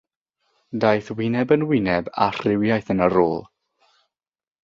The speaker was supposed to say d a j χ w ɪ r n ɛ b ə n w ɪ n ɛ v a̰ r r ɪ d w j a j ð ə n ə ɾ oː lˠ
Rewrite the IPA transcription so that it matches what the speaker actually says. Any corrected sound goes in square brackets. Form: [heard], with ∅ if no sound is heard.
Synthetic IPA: d a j [θ] w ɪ [∅] n ɛ b ə n w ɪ n ɛ [b] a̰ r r ɪ [∅] w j a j [θ] ə n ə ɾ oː lˠ